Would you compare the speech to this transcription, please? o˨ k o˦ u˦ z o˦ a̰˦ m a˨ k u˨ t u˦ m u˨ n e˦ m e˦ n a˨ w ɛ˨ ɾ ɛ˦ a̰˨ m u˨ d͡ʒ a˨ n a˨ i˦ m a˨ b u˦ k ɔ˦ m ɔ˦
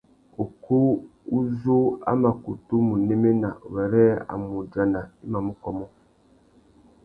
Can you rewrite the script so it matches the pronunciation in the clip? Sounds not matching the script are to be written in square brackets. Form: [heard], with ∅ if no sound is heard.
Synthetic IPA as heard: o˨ k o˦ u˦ z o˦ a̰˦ m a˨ k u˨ t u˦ m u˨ n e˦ m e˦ n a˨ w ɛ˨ ɾ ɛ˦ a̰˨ m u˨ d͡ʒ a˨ n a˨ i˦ m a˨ [m] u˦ k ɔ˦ m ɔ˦